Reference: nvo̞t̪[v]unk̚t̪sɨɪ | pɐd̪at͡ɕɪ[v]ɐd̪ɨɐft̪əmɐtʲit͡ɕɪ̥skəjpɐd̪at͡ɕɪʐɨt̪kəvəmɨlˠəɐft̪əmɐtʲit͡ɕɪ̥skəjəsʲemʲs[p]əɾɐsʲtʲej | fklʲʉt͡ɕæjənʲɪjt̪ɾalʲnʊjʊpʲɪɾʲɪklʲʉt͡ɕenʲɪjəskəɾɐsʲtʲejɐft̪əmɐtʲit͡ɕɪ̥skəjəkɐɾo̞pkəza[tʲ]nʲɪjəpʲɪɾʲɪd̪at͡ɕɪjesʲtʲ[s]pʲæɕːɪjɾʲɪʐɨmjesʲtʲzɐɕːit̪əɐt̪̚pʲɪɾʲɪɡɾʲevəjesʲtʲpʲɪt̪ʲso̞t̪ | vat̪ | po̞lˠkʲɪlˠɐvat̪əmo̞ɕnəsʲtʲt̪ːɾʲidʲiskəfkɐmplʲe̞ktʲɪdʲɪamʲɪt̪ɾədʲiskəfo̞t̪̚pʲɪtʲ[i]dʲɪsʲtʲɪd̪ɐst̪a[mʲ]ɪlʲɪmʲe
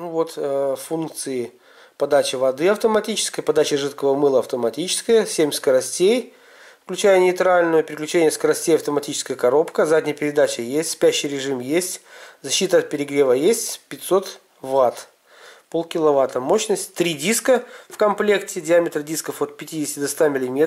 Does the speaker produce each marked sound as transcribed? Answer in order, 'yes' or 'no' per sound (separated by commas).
no, yes, no, no, yes, yes, yes